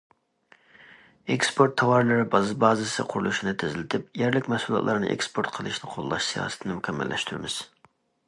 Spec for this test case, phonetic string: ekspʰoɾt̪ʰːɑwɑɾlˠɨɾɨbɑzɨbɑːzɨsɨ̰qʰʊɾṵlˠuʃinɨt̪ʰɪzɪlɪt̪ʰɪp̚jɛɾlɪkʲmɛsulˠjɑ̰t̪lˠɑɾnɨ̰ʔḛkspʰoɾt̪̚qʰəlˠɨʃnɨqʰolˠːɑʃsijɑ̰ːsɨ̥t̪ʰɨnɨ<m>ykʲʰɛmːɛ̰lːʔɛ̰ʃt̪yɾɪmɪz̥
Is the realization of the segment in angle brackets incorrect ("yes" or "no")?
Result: no